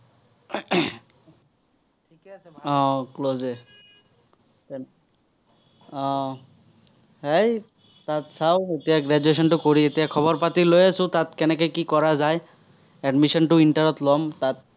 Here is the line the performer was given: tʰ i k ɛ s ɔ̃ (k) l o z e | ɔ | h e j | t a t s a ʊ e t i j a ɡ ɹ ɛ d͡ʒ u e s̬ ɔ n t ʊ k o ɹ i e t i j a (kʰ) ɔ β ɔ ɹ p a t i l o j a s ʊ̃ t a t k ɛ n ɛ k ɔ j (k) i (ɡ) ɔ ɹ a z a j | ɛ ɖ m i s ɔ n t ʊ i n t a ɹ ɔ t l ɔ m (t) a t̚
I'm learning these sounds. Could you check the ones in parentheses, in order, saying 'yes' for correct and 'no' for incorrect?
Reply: yes, yes, yes, no, yes

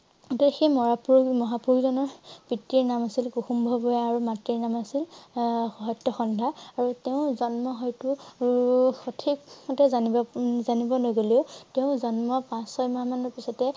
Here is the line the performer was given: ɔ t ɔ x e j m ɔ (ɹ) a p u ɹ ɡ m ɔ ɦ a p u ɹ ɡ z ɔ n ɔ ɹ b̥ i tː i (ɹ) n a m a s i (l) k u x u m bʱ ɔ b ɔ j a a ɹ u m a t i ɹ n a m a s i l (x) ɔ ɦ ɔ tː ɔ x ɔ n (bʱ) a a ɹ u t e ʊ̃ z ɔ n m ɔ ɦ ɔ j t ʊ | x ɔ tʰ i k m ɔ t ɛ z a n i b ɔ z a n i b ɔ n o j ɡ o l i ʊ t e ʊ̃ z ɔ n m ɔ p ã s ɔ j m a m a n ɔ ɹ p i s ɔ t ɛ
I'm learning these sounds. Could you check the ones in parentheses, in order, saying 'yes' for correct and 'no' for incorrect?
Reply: yes, yes, yes, yes, no

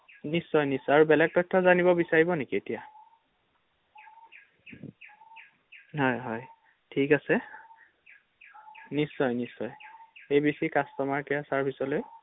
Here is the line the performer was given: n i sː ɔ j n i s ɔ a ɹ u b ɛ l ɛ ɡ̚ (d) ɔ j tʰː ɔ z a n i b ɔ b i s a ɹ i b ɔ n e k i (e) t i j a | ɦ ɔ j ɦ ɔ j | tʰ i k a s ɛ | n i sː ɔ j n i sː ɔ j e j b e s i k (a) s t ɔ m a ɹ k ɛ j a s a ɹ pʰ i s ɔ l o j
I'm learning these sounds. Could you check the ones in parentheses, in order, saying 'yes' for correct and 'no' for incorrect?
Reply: no, yes, yes

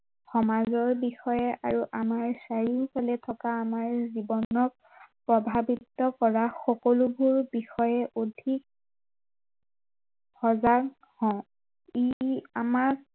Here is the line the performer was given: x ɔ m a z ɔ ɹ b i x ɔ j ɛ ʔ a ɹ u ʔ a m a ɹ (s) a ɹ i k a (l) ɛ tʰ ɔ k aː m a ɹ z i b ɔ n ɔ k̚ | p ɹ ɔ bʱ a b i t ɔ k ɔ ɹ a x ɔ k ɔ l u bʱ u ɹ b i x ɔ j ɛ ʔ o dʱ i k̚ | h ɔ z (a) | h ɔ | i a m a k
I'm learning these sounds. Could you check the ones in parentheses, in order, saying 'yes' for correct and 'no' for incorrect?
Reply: yes, yes, yes

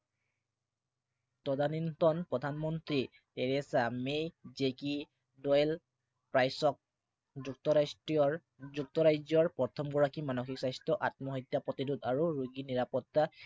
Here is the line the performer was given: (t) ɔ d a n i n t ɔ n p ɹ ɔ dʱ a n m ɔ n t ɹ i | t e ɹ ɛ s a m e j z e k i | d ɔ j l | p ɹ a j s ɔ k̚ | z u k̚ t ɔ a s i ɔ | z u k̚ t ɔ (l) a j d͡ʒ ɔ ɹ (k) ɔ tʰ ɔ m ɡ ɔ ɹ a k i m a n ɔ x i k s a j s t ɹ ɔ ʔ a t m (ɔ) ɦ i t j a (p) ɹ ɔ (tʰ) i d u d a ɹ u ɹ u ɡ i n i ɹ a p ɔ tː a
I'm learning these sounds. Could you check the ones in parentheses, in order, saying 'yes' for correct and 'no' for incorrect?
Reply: yes, no, no, yes, yes, no

